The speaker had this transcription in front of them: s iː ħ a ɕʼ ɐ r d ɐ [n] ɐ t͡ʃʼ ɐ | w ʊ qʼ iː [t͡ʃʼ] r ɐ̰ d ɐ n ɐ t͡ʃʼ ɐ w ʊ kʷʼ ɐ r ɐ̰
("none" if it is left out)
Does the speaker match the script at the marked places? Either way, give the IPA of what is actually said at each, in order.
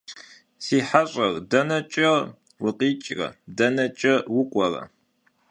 n, t͡ʃʼ

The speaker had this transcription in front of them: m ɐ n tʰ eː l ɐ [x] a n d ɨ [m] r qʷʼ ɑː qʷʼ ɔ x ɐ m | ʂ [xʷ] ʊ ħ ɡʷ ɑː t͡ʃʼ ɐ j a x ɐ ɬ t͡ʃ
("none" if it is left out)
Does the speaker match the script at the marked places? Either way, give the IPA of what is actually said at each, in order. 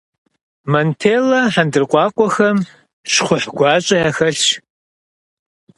ħ, none, χʷ

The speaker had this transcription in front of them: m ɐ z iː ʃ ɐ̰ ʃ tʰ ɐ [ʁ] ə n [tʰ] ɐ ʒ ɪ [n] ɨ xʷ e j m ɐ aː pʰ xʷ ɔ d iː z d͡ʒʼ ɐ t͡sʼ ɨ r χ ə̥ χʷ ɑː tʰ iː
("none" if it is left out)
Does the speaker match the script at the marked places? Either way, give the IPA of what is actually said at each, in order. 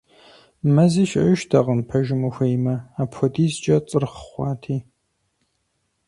ʁ, pʰ, m

